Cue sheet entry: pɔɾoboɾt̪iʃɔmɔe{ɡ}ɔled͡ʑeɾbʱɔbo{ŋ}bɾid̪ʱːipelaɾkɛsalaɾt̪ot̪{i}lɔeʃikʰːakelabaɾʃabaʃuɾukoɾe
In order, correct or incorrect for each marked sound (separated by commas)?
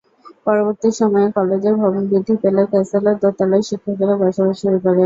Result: incorrect, incorrect, incorrect